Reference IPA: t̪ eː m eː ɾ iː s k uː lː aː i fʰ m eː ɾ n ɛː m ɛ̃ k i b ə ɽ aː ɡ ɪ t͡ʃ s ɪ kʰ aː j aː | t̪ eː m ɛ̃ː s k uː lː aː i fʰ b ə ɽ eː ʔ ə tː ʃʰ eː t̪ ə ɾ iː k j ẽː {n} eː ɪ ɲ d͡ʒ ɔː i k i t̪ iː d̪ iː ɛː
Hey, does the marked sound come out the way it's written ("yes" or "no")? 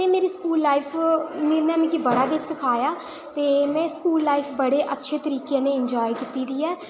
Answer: yes